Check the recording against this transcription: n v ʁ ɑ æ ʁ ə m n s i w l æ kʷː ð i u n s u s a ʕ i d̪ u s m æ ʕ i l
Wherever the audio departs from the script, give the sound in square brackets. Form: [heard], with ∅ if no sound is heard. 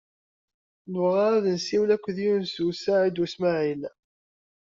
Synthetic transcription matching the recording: n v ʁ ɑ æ [ð] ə [∅] n s i w l æ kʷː ð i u n s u s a ʕ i d̪ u s m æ ʕ i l